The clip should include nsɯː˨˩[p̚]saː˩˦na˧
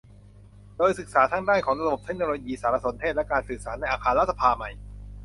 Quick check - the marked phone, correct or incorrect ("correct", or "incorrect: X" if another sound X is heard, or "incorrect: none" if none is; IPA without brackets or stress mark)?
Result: incorrect: k̚